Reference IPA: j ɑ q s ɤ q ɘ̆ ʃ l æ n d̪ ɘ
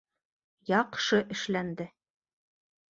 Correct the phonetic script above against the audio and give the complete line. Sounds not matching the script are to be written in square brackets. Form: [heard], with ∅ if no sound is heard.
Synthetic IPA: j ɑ q [ʃ] ɤ [ʔ] ɘ̆ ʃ l æ n d̪ ɘ